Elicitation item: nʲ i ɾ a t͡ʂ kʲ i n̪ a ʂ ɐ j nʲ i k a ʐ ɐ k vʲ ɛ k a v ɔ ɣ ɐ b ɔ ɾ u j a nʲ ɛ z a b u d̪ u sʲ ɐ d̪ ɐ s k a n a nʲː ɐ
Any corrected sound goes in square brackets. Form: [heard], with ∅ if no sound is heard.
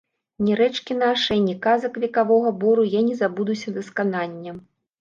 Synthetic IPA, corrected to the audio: nʲ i ɾ [ɛ] t͡ʂ kʲ i n̪ a ʂ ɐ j nʲ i k a [z] ɐ k vʲ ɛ k a v ɔ ɣ ɐ b ɔ ɾ u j a nʲ ɛ z a b u d̪ u sʲ ɐ d̪ ɐ s k a n a nʲː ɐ